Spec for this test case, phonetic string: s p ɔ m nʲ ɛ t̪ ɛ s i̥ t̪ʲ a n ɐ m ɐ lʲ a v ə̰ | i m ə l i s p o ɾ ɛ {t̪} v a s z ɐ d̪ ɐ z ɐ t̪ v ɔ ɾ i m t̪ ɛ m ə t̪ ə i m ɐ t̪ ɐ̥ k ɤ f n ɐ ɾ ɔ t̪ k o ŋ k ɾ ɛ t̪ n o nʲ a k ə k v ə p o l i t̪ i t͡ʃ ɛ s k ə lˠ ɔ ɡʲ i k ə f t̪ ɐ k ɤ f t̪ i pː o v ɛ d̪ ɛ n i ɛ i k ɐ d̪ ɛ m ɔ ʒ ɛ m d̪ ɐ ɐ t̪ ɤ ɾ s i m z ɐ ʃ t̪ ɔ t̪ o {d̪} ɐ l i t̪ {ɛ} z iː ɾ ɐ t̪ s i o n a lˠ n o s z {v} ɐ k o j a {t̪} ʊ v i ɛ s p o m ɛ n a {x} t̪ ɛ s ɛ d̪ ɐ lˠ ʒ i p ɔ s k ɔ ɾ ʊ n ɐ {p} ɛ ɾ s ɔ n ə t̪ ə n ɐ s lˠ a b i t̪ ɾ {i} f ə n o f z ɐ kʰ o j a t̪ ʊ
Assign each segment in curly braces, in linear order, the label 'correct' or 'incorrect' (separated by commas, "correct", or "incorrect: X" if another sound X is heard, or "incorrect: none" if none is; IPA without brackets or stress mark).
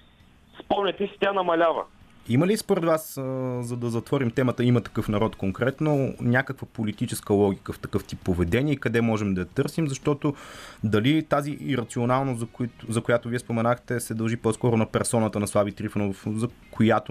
incorrect: d̪, correct, incorrect: a, incorrect: z, correct, correct, correct, correct